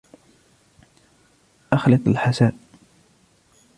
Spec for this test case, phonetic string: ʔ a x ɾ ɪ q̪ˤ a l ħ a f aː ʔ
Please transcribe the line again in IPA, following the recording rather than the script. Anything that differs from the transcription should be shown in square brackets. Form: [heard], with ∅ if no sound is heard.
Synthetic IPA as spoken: ʔ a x [l] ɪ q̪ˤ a l ħ a [s] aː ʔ